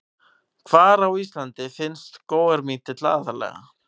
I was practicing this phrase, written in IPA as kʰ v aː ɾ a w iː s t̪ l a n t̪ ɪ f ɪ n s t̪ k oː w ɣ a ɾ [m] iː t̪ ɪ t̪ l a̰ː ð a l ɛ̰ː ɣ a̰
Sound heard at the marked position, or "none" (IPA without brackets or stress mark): m